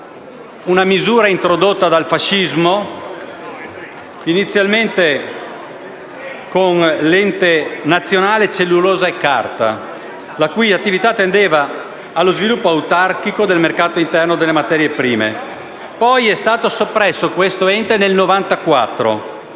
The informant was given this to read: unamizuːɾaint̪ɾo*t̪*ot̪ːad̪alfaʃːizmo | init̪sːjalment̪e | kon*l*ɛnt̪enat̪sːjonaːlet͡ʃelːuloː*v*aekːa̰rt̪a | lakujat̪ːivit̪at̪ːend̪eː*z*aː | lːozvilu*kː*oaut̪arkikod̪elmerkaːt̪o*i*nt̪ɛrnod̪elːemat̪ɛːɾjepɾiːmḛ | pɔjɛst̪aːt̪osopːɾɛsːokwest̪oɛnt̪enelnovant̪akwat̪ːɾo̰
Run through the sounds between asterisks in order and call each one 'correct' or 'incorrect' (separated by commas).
incorrect, correct, incorrect, incorrect, incorrect, correct